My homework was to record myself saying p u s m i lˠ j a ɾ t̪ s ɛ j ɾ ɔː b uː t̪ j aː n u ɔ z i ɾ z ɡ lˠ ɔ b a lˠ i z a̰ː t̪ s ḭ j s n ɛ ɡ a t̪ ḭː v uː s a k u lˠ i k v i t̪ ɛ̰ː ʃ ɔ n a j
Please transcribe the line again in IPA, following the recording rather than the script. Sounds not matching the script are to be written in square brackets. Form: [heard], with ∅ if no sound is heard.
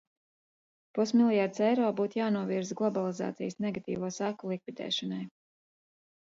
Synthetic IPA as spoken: p u s m i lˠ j a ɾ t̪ s ɛ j ɾ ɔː b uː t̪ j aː n u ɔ [v] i ɾ z ɡ lˠ ɔ b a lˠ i z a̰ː t̪ s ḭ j s n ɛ ɡ a t̪ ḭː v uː s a k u lˠ i k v i [d̪] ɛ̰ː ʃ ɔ n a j